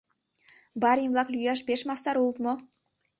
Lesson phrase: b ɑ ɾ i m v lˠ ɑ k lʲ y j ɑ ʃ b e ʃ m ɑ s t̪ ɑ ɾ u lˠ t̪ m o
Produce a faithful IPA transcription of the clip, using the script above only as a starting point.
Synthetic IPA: b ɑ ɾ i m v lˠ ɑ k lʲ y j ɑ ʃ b e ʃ m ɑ s t̪ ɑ ɾ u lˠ t̪ m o